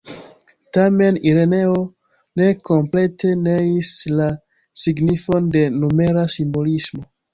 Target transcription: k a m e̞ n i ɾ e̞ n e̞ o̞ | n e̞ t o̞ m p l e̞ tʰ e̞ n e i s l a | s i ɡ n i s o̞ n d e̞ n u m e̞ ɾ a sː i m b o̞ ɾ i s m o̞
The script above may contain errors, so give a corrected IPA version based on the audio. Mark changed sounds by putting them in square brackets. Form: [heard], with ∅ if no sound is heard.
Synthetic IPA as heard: [t] a m e̞ n i ɾ e̞ n e̞ o̞ | n e̞ [k] o̞ m p l e̞ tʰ e̞ n e i s l a | s i ɡ n i [f] o̞ n d e̞ n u m e̞ ɾ a [s] i m b o̞ [l] i s m o̞